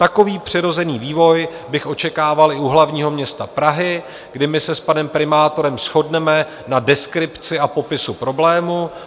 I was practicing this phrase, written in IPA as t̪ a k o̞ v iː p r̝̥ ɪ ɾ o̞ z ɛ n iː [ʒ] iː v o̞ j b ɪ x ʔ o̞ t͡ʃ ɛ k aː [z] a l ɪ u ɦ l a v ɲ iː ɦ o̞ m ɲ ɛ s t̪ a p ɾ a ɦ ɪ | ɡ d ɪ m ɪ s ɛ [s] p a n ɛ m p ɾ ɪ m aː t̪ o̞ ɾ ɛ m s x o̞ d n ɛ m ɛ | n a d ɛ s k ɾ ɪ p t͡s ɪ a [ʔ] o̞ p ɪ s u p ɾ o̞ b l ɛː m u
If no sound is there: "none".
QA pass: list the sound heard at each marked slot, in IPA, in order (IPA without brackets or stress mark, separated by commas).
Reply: v, v, s, p